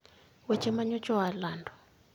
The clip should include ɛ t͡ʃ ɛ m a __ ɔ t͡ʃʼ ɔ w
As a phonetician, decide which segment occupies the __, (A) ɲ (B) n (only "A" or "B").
A